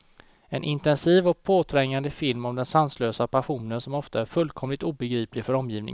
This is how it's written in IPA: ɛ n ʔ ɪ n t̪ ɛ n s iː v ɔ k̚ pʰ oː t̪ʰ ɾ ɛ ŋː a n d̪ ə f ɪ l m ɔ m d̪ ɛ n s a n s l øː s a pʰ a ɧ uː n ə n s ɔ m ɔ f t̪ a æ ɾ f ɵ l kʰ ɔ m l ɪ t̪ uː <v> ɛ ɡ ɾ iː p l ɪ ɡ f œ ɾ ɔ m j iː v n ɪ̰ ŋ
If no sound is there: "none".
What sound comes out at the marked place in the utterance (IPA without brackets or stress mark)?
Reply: b